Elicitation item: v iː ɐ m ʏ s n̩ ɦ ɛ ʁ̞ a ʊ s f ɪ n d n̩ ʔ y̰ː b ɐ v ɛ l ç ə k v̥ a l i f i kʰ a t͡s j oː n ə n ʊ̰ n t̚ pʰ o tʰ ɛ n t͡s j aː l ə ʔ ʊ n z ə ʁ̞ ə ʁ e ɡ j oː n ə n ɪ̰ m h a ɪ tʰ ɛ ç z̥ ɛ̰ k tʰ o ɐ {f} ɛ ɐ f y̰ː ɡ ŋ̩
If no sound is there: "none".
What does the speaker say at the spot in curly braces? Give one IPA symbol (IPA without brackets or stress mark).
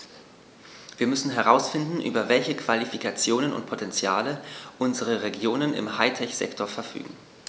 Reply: f